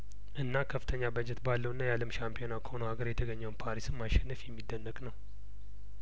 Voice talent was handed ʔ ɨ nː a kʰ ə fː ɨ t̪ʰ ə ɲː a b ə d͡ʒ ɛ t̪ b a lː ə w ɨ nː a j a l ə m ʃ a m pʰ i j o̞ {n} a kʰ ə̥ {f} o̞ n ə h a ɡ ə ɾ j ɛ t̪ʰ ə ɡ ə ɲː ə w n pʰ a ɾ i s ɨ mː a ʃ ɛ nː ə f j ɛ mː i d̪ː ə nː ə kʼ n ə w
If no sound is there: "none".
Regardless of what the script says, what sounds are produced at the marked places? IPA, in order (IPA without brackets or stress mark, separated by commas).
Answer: n, h